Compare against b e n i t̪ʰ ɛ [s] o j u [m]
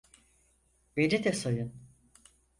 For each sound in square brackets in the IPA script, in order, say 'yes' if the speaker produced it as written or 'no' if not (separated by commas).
yes, no